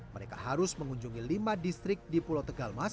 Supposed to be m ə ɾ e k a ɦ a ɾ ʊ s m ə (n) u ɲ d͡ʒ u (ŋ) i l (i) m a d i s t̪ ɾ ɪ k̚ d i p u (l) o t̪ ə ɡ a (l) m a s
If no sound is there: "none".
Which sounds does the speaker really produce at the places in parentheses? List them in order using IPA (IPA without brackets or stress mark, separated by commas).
ŋ, ŋ, i, l, l